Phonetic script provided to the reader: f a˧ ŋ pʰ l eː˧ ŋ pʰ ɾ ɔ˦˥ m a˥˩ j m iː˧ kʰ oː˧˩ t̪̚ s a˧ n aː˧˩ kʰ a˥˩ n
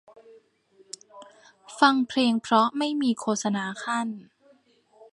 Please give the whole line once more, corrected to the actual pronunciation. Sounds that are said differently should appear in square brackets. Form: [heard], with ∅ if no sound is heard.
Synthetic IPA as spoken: f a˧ ŋ pʰ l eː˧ ŋ pʰ ɾ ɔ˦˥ m a˥˩ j m iː˧ kʰ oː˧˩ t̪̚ s a˧ n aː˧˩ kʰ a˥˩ n